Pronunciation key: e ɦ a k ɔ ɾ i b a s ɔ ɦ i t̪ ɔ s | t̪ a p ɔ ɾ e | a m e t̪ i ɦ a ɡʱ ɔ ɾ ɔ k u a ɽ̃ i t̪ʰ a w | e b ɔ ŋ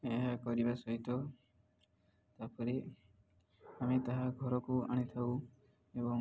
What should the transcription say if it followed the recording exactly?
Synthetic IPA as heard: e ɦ a k ɔ ɾ i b a s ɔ ɦ i t̪ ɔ | t̪ a p ɔ ɾ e | a m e t̪ a ɦ a ɡʱ ɔ ɾ ɔ k u a ɽ̃ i t̪ʰ a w | e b ɔ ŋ